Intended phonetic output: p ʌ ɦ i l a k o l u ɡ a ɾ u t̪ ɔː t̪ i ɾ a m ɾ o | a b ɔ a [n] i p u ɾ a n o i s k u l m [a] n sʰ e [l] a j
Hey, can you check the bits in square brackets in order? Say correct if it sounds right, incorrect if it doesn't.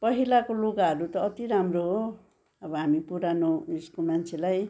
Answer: incorrect: m, correct, correct

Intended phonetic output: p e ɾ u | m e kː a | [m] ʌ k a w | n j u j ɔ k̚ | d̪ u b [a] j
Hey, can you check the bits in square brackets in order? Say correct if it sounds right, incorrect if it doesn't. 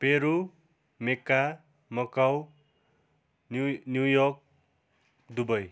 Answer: correct, incorrect: ʌ

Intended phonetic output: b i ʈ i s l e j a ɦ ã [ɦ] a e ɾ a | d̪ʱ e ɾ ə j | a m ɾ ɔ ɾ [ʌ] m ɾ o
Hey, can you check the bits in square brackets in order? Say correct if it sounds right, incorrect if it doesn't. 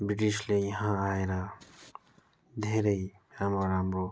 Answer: incorrect: none, incorrect: a

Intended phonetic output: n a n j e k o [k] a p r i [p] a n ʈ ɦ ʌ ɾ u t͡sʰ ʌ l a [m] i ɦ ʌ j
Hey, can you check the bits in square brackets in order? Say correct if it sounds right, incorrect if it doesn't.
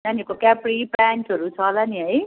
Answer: correct, correct, incorrect: n

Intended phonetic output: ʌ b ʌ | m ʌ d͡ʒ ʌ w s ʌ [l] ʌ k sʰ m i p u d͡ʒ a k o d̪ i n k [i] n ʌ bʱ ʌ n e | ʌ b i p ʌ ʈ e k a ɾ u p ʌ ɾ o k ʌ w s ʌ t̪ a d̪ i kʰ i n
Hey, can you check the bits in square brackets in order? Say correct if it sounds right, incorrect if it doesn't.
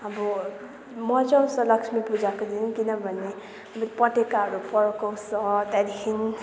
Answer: correct, correct

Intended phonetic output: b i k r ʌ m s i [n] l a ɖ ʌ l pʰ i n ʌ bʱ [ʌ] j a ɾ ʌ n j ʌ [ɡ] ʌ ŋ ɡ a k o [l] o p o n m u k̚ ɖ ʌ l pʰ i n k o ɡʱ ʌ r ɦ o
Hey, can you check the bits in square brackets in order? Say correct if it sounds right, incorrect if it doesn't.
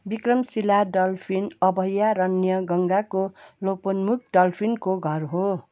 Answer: incorrect: none, correct, correct, correct

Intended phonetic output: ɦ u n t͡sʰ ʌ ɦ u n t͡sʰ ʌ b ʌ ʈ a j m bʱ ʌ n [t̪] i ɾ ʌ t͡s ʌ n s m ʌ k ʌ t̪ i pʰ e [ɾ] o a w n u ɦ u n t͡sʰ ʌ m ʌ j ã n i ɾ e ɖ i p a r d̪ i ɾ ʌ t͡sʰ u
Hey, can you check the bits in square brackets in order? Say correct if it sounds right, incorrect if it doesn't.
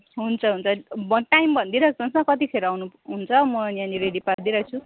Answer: incorrect: d̪, correct

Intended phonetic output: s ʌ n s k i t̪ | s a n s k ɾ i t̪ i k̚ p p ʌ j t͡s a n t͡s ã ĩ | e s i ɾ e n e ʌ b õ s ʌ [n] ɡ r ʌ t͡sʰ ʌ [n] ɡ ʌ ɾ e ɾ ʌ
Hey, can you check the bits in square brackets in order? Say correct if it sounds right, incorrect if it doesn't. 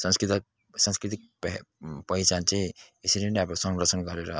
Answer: incorrect: ŋ, correct

